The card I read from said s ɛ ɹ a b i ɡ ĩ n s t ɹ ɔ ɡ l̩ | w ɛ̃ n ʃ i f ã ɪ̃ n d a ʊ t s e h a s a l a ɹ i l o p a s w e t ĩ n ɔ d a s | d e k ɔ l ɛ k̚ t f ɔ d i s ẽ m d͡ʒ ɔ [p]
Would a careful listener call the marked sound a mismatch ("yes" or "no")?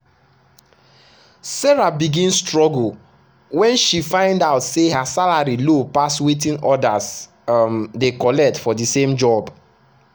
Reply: yes